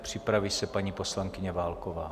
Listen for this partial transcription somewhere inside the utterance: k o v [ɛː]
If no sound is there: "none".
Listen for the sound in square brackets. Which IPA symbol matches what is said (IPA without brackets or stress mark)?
aː